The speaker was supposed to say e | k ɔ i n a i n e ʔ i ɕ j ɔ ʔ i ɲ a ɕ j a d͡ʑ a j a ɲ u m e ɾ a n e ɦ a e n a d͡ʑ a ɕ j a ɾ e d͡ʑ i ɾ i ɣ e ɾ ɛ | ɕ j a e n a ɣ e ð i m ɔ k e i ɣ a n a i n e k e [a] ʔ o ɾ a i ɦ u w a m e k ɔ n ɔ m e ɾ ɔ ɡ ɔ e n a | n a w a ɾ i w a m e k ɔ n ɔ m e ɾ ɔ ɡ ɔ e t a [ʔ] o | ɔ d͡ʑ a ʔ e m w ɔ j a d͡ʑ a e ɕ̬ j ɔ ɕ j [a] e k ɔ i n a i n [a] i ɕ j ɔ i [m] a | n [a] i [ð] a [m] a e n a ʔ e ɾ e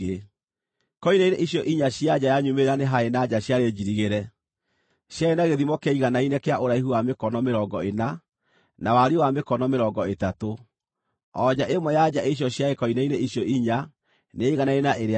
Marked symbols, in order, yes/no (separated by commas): yes, no, yes, no, no, no, no, no